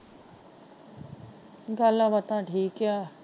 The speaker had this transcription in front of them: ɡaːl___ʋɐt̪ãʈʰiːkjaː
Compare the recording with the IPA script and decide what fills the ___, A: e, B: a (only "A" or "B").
B